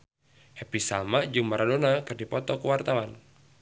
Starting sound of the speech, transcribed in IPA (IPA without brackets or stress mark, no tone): h